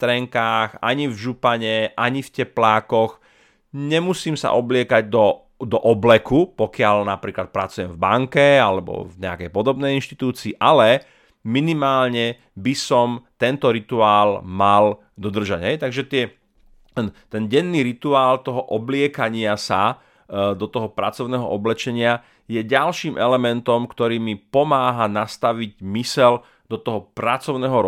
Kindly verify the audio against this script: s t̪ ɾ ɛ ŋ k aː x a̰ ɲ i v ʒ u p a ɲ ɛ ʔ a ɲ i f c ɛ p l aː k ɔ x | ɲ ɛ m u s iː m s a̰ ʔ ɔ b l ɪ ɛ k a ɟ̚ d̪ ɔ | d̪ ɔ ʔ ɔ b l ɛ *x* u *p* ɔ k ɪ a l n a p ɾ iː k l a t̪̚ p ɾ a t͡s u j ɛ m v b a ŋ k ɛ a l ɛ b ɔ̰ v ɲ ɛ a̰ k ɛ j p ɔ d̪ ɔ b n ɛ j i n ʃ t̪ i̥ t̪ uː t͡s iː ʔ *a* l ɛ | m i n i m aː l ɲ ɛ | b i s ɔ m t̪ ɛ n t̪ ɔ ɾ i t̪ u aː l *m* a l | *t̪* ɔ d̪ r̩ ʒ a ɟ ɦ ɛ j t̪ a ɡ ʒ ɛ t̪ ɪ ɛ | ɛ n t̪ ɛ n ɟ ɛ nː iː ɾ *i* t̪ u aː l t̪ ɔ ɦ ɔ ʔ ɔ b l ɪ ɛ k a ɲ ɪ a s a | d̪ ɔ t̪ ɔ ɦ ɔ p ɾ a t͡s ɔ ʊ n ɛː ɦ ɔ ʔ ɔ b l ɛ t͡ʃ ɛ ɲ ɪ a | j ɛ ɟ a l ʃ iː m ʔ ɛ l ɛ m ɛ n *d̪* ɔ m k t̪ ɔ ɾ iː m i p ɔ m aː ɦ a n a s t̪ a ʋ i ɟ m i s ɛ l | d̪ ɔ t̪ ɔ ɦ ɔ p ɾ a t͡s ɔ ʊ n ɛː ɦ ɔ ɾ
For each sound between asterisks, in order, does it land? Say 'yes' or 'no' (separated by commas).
no, yes, yes, yes, no, yes, no